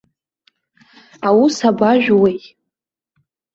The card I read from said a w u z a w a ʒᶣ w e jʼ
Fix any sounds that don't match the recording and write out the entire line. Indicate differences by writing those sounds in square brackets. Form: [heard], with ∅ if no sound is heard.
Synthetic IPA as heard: a w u [s] a [b] a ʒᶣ w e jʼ